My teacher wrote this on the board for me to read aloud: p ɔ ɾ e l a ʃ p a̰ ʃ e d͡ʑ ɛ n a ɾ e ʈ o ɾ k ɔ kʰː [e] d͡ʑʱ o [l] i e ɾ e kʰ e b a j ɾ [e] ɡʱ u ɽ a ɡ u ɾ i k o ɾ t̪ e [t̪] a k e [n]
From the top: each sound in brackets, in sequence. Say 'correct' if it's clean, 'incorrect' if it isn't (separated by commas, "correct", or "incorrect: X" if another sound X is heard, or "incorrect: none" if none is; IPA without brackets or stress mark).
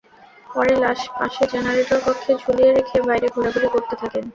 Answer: correct, correct, correct, incorrect: t̪ʰ, correct